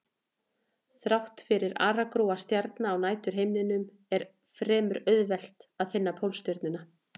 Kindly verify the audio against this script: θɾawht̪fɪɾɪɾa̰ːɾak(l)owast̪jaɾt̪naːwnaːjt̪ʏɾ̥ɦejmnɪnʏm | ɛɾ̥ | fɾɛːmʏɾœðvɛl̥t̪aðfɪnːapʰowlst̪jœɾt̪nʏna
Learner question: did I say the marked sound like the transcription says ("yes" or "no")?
no